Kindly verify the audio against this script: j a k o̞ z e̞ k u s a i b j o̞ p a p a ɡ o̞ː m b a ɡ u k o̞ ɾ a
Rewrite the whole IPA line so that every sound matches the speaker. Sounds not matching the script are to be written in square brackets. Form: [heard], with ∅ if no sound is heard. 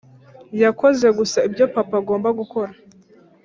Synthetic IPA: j a k o̞ z e̞ [ɡ] u s a i b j o̞ p a p a ɡ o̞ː m b a ɡ u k o̞ ɾ a